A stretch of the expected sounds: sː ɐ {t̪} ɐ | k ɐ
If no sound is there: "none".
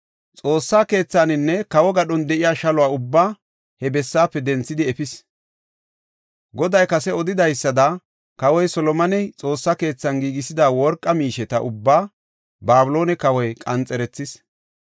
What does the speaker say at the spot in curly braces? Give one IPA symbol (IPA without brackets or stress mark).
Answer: d̪